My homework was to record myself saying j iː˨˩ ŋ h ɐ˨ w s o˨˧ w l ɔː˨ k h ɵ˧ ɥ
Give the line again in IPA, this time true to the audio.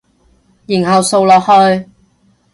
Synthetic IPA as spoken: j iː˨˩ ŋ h ɐ˨ w s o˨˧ w l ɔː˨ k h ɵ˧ ɥ

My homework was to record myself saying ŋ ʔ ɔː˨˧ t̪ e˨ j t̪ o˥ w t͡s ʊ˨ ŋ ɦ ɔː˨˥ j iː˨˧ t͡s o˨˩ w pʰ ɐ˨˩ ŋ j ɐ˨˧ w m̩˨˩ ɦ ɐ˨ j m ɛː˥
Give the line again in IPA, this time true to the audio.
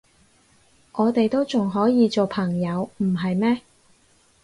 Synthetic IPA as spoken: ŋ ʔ ɔː˨˧ t̪ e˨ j t̪ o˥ w t͡s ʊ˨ ŋ ɦ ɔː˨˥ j iː˨˧ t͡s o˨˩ w pʰ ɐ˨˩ ŋ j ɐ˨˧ w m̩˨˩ ɦ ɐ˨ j m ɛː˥

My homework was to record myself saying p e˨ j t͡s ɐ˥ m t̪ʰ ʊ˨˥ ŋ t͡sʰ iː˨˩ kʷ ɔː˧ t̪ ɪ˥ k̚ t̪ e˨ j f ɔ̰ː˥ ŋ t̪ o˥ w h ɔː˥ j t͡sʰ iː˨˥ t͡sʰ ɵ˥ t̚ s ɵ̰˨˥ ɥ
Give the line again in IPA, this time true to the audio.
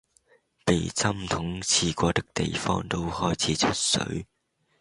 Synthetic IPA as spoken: p e˨ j t͡s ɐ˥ m t̪ʰ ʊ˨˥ ŋ t͡sʰ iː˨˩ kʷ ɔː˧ t̪ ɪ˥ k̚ t̪ e˨ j f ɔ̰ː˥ ŋ t̪ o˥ w h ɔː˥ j t͡sʰ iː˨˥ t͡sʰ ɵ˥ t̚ s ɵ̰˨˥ ɥ

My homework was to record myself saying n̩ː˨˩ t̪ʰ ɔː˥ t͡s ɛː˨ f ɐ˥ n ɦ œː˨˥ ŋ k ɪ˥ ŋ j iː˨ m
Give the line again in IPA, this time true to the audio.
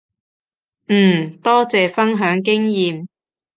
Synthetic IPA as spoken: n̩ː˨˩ t̪ ɔː˥ t͡s ɛː˨ f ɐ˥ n ɦ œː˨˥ ŋ k ɪ˥ ŋ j iː˨ m

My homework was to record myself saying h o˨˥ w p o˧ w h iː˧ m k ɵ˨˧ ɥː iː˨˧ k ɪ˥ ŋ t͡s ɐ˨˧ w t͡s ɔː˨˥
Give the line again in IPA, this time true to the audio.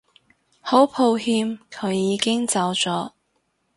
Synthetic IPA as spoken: h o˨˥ w pʰ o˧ w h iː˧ m kʰ ɵ˨˧ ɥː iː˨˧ k ɪ˥ ŋ t͡s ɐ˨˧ w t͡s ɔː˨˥

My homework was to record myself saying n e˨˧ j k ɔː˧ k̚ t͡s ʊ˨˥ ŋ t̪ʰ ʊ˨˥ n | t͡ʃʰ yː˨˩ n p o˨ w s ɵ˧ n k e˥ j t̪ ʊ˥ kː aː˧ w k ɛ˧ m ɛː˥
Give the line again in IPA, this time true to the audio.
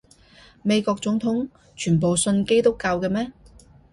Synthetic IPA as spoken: m e˨˧ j k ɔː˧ k̚ t͡s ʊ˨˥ ŋ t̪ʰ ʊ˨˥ ŋ | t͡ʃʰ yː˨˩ n p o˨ w s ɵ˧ n k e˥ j t̪ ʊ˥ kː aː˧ w k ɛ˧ m ɛː˥

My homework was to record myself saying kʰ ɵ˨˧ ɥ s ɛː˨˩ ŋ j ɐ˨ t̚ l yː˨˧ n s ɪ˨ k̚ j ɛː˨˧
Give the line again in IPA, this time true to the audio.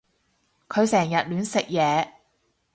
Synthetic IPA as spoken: kʰ ɵ˨˧ ɥ s ɛː˨˩ ŋ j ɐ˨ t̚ l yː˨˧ n s ɪ˨ k̚ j ɛː˨˧

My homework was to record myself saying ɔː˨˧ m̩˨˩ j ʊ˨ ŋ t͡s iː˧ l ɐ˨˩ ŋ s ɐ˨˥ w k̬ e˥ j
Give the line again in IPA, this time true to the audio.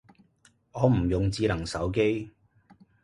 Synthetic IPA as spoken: ɔː˨˧ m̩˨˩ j ʊ˨ ŋ t͡s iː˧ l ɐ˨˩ ŋ s ɐ˨˥ w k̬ e˥ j

